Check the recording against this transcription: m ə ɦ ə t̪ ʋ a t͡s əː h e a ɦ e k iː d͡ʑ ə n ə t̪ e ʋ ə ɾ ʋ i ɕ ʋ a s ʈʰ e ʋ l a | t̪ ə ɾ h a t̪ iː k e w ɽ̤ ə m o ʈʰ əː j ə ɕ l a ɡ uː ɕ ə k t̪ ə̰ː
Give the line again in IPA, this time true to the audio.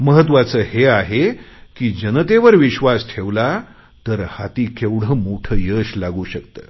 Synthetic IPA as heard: m ə ɦ ə t̪ ʋ a t͡s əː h e a ɦ e k iː d͡ʑ ə n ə t̪ e ʋ ə ɾ ʋ i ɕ ʋ a s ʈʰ e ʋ l a | t̪ ə ɾ h a t̪ iː k e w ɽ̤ ə m o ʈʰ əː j ə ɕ l a ɡ uː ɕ ə k t̪ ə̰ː